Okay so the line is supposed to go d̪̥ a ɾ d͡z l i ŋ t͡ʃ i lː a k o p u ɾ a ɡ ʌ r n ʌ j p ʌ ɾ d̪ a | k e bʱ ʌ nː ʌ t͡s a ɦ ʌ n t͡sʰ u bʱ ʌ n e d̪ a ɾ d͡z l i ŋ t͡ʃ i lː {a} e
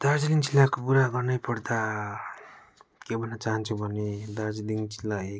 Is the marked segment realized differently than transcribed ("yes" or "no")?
no